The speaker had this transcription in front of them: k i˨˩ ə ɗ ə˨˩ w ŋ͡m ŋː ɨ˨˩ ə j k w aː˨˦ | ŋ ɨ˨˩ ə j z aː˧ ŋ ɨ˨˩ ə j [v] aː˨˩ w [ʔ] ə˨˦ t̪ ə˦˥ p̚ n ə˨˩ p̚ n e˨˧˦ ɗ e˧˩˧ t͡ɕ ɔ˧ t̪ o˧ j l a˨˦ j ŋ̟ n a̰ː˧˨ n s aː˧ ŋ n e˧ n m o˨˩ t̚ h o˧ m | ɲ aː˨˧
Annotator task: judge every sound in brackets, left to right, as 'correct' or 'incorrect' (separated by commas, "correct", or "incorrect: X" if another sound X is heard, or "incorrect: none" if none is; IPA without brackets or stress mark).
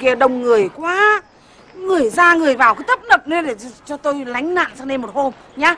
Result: correct, incorrect: k